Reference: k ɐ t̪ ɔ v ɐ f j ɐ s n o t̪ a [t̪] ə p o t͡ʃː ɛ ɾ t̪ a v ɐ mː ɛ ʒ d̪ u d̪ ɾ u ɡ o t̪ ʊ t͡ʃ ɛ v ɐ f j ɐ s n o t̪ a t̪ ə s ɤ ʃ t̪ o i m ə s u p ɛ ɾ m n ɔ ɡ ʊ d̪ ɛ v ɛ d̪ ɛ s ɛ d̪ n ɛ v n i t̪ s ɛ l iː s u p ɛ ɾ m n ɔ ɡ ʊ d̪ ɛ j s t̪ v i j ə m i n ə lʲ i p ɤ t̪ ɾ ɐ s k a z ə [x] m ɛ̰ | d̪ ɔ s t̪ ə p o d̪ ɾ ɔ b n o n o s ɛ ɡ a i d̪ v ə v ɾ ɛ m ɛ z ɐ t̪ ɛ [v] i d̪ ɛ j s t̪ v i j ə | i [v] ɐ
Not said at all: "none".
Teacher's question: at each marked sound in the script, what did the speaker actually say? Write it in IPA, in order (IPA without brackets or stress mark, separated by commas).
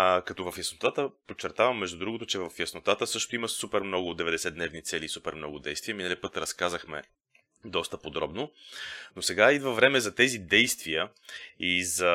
t̪, x, z, z